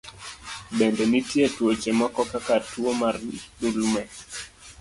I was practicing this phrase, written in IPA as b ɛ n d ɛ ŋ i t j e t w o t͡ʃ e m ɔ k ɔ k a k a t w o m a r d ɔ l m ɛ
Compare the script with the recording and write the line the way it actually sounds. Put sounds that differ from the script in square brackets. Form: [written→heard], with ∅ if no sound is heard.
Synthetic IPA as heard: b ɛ n d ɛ [ŋ→n] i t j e t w o t͡ʃ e m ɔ k ɔ k a k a t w o m a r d [ɔ→u] l m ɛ